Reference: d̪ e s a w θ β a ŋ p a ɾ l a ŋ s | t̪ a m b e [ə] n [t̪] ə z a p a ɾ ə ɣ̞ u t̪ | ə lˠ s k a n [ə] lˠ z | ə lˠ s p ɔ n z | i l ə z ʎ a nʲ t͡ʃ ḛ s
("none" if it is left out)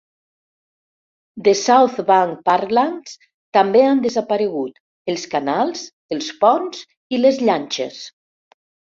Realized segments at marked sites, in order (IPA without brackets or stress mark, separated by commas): a, d̪, a